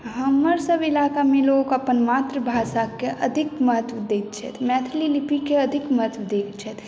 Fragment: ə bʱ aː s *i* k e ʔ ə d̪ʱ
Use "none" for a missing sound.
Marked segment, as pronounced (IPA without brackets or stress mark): a